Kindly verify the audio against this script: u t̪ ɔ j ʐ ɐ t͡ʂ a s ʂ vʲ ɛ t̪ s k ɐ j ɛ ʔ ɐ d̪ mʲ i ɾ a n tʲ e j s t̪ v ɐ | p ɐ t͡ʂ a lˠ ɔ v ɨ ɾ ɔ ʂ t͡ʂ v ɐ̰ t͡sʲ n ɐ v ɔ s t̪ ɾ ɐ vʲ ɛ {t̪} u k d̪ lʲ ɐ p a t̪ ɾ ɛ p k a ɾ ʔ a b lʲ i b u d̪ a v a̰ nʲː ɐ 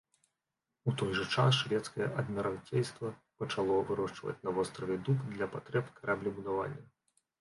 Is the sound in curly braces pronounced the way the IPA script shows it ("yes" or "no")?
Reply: no